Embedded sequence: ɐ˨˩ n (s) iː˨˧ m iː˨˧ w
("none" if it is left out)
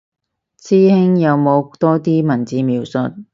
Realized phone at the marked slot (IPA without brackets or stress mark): t͡s